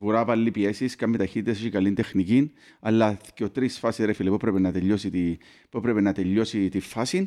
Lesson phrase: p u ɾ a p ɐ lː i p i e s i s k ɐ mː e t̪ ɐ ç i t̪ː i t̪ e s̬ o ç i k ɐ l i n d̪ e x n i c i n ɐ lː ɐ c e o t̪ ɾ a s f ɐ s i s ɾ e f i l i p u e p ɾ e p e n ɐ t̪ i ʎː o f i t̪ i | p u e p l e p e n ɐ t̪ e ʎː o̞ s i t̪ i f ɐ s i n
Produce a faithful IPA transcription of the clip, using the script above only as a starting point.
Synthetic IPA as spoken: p u ɾ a p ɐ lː i p i e s i s k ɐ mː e t̪ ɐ ç i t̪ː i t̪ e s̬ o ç i k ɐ l i n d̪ e x n i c i n ɐ lː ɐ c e o t̪ ɾ i s f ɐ s i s ɾ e f i l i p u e p ɾ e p e n ɐ t̪ e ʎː o s i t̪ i | p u e p ɾ e p e n ɐ t̪ e ʎː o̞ s i t̪ i f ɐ s i n